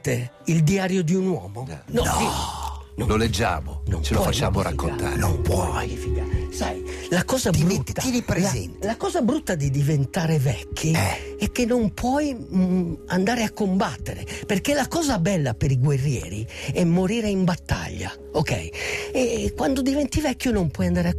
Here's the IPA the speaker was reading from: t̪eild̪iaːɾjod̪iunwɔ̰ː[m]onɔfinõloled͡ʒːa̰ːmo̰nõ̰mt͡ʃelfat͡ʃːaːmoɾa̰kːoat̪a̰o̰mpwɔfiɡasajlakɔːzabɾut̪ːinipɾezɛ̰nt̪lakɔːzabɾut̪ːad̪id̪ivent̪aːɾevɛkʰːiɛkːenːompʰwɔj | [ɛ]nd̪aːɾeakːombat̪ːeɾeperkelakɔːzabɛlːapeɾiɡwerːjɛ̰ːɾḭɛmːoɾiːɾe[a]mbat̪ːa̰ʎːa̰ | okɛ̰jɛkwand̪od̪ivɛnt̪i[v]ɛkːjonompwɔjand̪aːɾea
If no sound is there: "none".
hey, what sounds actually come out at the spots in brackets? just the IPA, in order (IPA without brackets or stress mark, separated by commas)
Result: m, a, i, v